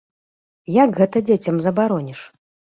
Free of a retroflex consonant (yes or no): no